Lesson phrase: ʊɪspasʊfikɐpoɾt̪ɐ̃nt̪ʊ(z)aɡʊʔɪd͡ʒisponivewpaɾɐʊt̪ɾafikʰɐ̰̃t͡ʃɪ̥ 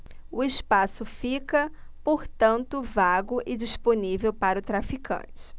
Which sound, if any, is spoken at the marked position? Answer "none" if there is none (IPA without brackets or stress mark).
v